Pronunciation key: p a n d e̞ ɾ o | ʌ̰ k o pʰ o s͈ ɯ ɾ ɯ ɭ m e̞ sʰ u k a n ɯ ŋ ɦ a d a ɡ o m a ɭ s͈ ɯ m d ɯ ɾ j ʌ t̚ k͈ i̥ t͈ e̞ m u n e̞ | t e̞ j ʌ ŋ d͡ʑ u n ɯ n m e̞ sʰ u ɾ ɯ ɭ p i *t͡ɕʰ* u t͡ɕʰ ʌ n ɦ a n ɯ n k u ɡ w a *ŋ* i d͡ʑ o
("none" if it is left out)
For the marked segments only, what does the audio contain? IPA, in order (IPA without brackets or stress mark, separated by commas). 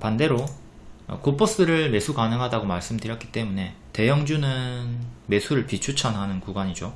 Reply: t͡ɕʰ, ɲ